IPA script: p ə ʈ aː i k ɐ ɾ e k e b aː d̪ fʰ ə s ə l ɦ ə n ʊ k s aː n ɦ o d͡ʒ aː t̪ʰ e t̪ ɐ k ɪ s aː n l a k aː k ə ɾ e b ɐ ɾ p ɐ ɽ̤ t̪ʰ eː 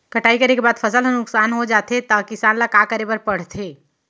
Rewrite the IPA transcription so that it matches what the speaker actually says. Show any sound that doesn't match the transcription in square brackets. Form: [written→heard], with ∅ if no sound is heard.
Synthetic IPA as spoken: [p→k] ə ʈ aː i k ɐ ɾ e k e b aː d̪ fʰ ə s ə l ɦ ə n ʊ k s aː n ɦ o d͡ʒ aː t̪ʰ e t̪ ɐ k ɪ s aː n l a k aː k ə ɾ e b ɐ ɾ p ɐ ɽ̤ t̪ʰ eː